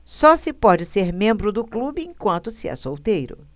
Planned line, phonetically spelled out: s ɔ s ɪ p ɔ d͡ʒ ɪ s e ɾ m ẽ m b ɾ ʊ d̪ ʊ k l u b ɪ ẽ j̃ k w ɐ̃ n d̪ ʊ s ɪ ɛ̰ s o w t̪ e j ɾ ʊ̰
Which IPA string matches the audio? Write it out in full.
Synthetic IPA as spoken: s ɔ s ɪ p ɔ d͡ʒ ɪ s e ɾ m ẽ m b ɾ ʊ d̪ ʊ k l u b ɪ ẽ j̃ k w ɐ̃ n t̪ ʊ s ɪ ɛ̰ s o w t̪ e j ɾ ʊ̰